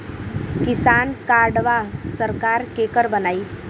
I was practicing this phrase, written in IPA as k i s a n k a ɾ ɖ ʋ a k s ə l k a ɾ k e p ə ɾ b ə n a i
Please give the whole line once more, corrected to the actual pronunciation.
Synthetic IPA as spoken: k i s a n k a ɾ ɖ ʋ a s ə ɾ k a ɾ k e k ə ɾ b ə n a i